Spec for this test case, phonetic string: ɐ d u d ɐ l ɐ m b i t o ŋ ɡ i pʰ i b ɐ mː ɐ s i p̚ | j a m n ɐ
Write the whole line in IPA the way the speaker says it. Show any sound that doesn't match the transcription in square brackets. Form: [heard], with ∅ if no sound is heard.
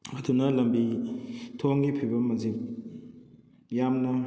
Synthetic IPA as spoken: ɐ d u [n] ɐ l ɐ m b i [tʰ] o ŋ ɡ i pʰ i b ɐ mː ɐ [z] i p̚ | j a m n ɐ